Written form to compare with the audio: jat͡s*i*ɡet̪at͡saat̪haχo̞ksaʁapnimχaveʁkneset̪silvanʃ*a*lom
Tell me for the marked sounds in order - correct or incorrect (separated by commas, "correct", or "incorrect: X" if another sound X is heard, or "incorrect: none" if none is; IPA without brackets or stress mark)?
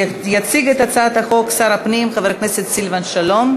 correct, correct